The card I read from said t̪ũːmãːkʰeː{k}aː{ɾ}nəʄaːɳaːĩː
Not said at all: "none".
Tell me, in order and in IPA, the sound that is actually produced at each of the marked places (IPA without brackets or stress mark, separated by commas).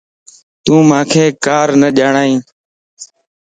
k, ɾ